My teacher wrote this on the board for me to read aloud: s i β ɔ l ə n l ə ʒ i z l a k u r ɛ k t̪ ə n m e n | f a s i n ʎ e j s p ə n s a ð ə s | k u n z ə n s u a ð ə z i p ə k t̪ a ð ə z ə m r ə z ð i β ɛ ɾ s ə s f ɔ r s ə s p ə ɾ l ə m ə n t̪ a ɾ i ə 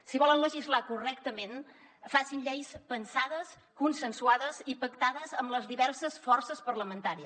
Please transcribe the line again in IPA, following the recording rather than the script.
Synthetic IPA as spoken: s i β ɔ l ə n l ə ʒ i z l a k u r ɛ k t̪ ə m e n | f a s i n ʎ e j s p ə n s a ð ə s | k u n s ə n s u a ð ə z i p ə k t̪ a ð ə z ə m l ə z ð i β ɛ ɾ s ə s f ɔ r s ə s p ə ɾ l ə m ə n t̪ a ɾ i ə